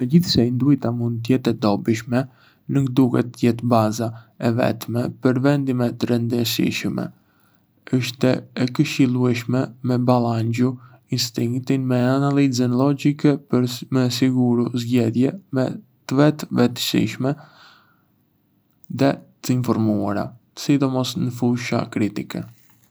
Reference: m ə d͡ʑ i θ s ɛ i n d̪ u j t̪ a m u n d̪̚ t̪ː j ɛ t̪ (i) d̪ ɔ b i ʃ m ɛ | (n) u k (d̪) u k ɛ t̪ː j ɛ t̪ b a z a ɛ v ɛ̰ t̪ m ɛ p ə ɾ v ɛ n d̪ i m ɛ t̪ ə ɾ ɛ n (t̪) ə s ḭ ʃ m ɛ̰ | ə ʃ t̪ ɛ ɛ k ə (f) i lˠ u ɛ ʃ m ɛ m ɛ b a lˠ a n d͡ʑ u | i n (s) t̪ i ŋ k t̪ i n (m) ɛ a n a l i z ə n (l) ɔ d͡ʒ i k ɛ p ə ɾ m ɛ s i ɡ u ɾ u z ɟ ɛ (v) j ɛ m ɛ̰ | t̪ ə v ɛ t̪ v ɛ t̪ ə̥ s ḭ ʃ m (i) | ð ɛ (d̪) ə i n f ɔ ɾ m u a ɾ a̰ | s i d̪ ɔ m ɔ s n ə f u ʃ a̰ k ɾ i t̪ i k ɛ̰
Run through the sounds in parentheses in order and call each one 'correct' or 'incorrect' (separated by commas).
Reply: incorrect, correct, correct, incorrect, incorrect, correct, correct, correct, incorrect, incorrect, incorrect